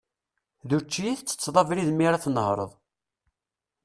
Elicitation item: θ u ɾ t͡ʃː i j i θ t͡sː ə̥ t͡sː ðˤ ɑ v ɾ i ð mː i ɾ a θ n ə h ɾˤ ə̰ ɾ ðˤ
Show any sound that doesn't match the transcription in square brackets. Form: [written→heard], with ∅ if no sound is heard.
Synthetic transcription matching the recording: [θ→ð] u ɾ t͡ʃː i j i θ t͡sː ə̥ t͡sː ðˤ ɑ v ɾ i ð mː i ɾ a θ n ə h ɾˤ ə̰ [ɾ→∅] ðˤ